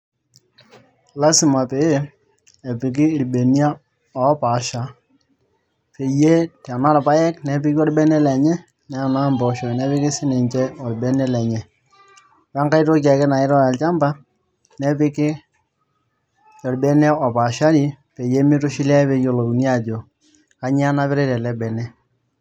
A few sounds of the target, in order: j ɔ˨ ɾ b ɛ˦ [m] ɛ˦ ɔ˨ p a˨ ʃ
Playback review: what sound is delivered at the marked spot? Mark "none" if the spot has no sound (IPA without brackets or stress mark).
n